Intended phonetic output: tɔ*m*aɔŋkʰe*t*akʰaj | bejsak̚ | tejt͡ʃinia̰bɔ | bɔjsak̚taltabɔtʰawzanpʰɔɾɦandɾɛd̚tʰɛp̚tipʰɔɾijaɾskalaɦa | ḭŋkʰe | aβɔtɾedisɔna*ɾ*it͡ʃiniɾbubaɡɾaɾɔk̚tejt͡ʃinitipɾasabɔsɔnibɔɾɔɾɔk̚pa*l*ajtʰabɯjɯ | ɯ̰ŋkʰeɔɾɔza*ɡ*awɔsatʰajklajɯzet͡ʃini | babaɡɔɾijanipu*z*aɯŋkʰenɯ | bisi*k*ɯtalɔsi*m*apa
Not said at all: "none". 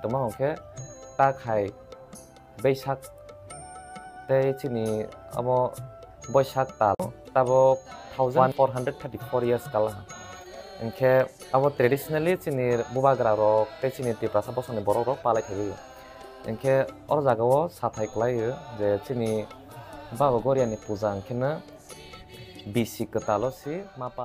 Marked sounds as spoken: m, t, l, l, ɡ, z, k, m

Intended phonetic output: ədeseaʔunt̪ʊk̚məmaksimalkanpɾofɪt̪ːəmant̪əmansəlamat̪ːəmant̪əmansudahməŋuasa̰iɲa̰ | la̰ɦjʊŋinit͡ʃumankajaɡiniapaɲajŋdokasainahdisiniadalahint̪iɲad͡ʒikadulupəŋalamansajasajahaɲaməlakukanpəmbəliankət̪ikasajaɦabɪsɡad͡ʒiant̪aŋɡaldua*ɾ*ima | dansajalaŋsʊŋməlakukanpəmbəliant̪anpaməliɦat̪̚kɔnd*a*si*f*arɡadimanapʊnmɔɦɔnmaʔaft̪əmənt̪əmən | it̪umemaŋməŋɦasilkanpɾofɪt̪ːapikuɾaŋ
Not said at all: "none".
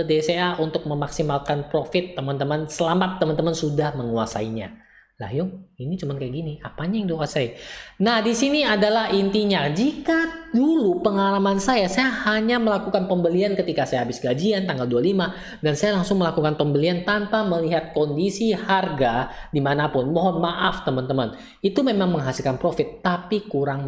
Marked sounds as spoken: l, i, h

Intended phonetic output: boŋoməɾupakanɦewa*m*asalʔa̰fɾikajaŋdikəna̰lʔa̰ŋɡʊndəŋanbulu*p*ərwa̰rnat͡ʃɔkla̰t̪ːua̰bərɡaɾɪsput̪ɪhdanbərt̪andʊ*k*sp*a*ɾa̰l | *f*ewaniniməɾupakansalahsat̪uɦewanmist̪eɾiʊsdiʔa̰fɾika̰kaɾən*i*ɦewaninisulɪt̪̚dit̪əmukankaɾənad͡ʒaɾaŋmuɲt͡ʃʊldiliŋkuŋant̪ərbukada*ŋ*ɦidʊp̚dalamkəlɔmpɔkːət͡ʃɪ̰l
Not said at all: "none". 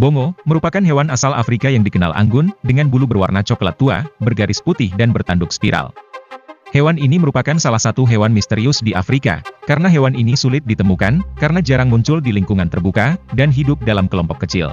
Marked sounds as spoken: n, b, k, i, h, a, n

